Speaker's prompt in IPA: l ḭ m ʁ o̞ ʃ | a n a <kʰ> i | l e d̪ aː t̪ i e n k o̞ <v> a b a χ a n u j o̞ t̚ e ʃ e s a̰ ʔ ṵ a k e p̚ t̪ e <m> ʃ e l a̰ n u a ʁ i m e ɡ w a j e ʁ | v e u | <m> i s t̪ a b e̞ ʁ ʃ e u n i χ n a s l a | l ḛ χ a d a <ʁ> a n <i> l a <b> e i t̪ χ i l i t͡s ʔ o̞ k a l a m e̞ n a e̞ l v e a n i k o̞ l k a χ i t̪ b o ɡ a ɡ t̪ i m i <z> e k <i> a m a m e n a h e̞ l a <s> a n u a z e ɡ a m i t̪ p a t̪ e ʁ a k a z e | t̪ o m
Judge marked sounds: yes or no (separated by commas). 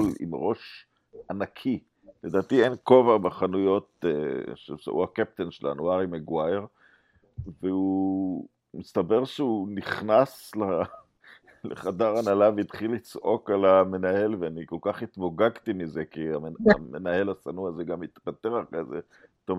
yes, yes, no, yes, yes, no, no, yes, yes, yes